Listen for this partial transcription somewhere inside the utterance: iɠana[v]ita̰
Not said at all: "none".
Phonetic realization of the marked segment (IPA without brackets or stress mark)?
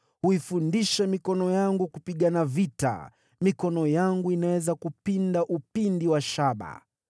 v